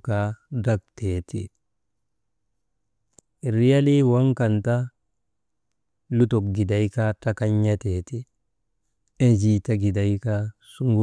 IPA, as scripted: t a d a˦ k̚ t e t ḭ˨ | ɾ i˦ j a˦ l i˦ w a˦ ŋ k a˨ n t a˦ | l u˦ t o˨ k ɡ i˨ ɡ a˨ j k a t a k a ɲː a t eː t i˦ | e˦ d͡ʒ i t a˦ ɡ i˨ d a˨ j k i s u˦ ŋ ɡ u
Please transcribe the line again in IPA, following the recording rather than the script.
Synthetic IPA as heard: k a d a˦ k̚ t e t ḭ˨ | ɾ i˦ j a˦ l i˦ w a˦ ŋ k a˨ n t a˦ | l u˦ t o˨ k ɡ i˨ d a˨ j k a t a k a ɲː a t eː t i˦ | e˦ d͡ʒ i t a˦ ɡ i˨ d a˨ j k a s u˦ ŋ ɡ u

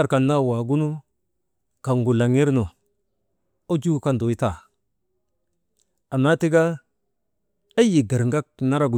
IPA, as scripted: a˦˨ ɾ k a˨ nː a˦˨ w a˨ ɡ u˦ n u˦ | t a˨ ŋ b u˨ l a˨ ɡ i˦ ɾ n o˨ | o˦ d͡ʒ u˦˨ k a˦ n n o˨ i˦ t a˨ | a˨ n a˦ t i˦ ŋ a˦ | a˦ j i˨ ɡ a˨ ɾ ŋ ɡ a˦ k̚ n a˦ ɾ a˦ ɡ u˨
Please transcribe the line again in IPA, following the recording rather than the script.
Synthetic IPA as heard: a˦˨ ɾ k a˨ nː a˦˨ w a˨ ɡ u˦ n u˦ | k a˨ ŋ ɡ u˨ l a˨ ŋ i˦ ɾ n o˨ | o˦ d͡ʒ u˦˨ k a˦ n d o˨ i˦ t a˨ | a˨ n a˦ t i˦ ɡ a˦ | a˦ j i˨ ɡ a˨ ɾ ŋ ɡ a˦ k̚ n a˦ ɾ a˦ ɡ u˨

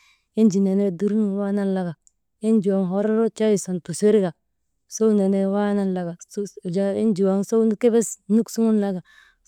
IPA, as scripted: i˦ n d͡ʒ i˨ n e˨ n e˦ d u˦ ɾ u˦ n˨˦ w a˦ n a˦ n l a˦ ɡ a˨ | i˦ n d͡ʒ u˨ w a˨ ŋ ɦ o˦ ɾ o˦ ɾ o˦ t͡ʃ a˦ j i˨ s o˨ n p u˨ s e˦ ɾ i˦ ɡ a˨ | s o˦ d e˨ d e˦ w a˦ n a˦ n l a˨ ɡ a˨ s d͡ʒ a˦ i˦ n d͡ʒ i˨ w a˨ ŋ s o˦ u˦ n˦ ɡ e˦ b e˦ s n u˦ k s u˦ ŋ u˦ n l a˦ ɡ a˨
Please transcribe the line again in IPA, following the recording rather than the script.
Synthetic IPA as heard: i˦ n d͡ʒ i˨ n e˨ n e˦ d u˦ ɾ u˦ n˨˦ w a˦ n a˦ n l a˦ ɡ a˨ | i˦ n d͡ʒ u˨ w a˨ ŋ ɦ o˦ ɾ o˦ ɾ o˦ t͡ʃ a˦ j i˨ s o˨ n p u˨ s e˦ ɾ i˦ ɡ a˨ | s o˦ n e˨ n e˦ w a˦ n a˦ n l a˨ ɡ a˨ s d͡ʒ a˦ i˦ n d͡ʒ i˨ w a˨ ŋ s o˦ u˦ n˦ k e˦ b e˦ s n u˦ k s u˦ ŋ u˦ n l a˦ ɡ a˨

